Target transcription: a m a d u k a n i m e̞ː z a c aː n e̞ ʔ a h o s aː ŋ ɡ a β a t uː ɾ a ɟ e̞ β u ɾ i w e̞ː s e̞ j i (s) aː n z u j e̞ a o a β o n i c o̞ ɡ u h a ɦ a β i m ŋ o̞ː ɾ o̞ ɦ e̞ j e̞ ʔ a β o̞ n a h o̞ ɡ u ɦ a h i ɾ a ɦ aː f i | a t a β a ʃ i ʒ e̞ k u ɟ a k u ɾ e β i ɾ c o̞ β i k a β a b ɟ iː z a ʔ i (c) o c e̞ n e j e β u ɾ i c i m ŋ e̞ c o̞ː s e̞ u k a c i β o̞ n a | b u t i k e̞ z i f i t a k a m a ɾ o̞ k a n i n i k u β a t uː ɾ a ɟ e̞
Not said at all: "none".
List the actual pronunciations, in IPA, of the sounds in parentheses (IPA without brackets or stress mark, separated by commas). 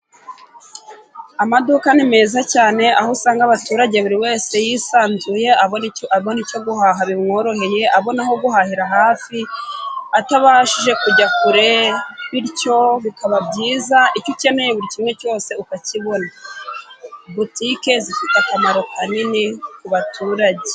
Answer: s, c